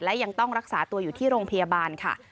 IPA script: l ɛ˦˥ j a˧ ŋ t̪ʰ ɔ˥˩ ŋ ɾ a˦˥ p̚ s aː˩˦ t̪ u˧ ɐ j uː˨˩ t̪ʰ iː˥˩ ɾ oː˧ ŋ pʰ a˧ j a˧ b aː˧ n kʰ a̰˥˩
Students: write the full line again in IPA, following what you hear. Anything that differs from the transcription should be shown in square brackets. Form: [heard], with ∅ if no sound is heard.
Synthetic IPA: l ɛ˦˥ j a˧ ŋ [t̪] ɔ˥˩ ŋ ɾ a˦˥ [k̚] s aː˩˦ t̪ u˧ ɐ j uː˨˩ t̪ʰ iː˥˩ ɾ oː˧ ŋ pʰ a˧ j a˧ b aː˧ n kʰ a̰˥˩